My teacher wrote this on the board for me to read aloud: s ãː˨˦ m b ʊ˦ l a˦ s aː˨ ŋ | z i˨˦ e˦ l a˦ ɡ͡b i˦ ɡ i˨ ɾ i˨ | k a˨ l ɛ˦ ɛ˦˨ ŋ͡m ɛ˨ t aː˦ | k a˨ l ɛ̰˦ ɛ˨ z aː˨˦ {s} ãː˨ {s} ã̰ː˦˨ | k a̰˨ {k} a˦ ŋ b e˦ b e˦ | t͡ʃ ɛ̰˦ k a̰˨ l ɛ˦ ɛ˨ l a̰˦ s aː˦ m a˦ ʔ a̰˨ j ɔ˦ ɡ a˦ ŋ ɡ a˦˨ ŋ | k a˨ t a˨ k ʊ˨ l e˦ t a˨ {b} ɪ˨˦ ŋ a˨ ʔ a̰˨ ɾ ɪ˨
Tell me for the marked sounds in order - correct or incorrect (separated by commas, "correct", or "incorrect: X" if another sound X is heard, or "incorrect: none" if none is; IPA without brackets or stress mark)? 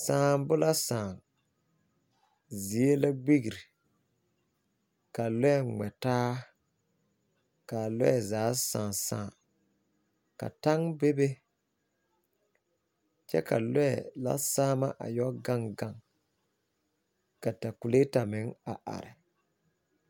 correct, correct, incorrect: t, incorrect: m